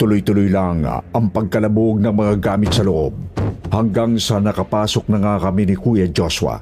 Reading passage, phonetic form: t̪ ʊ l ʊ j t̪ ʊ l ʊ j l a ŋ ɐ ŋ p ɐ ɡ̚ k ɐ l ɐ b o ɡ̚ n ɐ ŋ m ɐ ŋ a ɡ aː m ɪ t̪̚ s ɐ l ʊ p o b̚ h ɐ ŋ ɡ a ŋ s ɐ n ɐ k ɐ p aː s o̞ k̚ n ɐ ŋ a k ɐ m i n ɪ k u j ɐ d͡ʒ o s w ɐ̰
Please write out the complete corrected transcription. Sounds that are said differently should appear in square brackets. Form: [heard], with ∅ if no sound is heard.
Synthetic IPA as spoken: t̪ ʊ l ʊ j t̪ ʊ l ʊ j l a ŋ ɐ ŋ p ɐ ɡ̚ k ɐ l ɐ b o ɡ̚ n ɐ ŋ m ɐ ŋ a ɡ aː m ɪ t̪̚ s ɐ l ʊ [ʔ] o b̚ h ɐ ŋ ɡ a ŋ s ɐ n ɐ k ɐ p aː s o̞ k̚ n ɐ ŋ a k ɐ m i n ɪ k u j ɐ d͡ʒ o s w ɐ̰